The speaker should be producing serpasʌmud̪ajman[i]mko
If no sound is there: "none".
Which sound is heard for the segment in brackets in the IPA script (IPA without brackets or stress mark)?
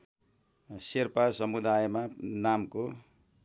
a